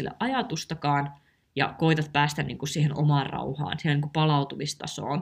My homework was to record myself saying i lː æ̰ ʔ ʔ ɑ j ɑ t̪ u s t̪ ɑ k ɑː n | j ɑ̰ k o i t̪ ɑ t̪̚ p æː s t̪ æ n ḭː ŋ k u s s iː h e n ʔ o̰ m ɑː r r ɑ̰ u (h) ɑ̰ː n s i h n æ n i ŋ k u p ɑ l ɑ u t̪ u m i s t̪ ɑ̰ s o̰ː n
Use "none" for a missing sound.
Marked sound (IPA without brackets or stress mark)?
h